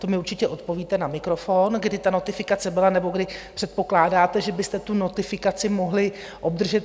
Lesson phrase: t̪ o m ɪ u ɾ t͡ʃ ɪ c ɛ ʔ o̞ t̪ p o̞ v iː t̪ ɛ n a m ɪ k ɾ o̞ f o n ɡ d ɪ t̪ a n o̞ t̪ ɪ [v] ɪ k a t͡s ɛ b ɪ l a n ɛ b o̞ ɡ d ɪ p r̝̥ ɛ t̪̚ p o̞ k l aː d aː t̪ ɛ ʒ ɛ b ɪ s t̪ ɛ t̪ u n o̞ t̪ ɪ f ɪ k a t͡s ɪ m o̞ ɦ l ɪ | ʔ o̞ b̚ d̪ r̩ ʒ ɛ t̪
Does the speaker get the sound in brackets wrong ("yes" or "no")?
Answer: yes